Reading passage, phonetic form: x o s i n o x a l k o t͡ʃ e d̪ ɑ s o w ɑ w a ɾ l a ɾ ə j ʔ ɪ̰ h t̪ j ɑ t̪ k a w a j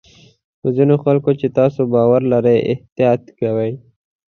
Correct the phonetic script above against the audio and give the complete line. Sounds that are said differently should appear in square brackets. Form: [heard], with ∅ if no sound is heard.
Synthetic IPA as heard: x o [z] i n o x a l k o t͡ʃ e [t̪] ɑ s o [b] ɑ w a ɾ l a ɾ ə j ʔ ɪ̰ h t̪ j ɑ t̪ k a w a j